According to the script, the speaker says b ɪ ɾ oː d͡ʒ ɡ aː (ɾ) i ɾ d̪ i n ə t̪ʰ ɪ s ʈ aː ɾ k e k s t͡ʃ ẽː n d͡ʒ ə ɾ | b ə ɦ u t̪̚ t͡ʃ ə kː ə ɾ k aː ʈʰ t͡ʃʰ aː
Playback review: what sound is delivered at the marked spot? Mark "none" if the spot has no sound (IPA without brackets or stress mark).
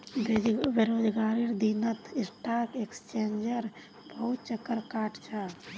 ɾ